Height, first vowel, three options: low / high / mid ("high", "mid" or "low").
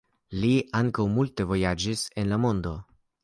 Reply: high